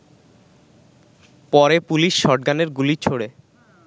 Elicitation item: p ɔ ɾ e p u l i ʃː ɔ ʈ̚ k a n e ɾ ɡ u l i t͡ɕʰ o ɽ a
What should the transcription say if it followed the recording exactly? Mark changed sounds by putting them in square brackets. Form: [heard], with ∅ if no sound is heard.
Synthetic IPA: p ɔ ɾ e p u l i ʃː ɔ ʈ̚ [ɡ] a n e ɾ ɡ u l i t͡ɕʰ o ɽ [e]

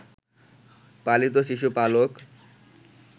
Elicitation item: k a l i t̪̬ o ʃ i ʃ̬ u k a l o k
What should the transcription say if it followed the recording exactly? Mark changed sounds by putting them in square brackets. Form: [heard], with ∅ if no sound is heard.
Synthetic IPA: [p] a l i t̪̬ o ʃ i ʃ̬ u [p] a l o k

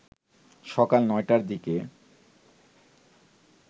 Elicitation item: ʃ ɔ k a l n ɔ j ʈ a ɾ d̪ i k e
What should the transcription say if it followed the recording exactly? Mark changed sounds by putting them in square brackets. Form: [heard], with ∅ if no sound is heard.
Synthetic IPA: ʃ ɔ k a l n ɔ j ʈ a ɾ d̪ i k e

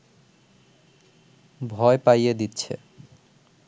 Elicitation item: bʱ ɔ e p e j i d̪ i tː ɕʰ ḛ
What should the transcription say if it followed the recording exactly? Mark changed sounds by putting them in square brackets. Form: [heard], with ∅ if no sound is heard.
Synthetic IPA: bʱ ɔ e p [a] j [e] d̪ i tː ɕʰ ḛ

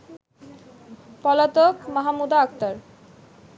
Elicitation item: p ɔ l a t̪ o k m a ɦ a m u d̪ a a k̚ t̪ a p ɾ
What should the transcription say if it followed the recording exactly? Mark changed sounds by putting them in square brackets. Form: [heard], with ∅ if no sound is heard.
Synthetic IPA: p ɔ l a t̪ o k m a ɦ a m u d̪ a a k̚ t̪ a [∅] ɾ

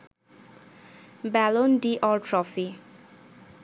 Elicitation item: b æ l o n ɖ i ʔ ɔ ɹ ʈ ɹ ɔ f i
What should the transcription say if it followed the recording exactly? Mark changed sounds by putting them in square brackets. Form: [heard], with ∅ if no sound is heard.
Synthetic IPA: b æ l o n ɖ i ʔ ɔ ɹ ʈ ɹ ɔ f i

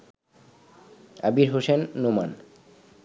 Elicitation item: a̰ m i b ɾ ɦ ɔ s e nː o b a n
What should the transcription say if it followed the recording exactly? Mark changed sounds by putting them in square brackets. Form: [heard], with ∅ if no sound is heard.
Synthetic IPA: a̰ [b] i [∅] ɾ ɦ [o] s e nː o [m] a n

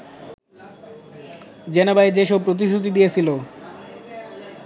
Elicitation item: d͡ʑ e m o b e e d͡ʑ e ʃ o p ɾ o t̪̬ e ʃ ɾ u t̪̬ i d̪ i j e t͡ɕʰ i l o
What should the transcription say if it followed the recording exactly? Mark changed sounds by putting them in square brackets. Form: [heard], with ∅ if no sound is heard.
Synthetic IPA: d͡ʑ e [n] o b [a] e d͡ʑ e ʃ o p ɾ o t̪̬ [i] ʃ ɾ u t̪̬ i d̪ i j e t͡ɕʰ i l o

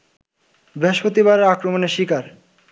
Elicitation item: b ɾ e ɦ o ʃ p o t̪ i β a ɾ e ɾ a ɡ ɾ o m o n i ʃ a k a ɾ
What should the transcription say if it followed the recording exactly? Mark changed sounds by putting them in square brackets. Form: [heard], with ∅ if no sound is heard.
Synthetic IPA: b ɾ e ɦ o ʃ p o t̪ i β a ɾ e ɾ a [k] ɾ o m o n [e] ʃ [i] k a ɾ

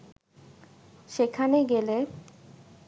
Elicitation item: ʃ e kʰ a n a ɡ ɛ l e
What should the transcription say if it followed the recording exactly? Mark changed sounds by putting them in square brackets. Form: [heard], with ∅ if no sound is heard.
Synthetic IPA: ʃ e kʰ a n [e] ɡ [e] l e

